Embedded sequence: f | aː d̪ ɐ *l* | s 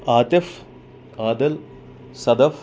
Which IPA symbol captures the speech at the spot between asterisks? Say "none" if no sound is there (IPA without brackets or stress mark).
l